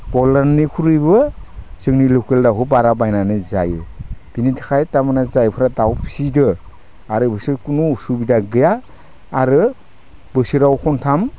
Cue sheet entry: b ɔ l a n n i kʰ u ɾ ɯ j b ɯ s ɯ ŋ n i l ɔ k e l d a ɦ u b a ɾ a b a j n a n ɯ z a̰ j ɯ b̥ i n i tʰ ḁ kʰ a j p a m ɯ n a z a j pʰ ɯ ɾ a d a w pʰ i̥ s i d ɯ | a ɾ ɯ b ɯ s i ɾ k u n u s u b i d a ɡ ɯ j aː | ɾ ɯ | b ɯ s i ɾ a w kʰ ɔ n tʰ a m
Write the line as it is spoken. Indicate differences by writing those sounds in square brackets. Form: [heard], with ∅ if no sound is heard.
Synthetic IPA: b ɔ l a n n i kʰ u ɾ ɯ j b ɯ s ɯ ŋ n i l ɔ k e l d a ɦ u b a ɾ a b a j n a n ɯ z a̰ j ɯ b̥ i n i tʰ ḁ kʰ a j [t] a m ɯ n a z a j pʰ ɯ ɾ a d a w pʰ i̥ s i d ɯ | a ɾ ɯ b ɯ s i ɾ k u n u s u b i d a ɡ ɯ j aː | ɾ ɯ | b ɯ s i ɾ a w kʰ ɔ n tʰ a m